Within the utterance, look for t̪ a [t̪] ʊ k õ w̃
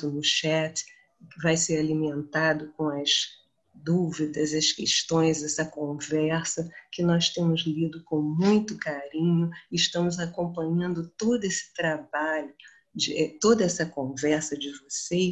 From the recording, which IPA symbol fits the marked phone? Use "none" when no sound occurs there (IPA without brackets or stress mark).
d̪